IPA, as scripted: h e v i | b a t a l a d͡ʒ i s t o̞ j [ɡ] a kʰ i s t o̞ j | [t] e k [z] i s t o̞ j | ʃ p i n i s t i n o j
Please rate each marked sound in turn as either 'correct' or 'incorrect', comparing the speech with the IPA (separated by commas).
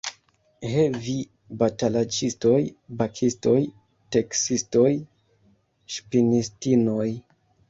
incorrect, correct, incorrect